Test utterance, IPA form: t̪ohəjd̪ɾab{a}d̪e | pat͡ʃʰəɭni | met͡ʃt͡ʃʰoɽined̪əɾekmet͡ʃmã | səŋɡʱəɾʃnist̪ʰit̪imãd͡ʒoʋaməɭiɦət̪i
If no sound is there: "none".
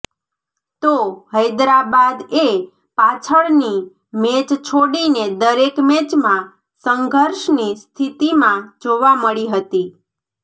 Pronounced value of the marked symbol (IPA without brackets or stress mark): a